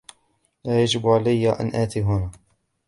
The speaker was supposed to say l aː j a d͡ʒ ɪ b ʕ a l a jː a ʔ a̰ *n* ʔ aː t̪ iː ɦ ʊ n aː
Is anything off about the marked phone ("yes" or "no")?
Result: no